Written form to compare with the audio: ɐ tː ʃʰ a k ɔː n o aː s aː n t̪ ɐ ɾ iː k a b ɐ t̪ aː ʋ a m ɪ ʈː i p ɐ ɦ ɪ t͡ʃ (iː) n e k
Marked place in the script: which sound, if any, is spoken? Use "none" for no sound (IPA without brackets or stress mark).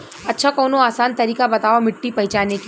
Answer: aː